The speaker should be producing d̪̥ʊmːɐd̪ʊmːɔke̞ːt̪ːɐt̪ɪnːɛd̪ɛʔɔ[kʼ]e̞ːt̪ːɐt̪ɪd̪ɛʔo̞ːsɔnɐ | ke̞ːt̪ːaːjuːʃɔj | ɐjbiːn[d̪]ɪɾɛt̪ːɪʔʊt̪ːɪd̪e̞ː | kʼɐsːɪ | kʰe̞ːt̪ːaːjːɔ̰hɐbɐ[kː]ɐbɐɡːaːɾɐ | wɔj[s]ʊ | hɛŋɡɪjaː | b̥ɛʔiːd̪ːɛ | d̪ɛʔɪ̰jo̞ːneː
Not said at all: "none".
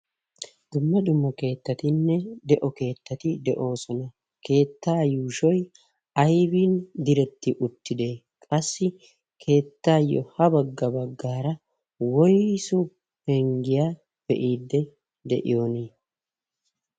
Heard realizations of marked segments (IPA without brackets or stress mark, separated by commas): k, d̪, ɡː, s